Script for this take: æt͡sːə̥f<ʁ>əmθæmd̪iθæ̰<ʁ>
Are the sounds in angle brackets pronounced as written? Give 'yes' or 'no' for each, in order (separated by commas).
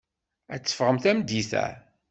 yes, no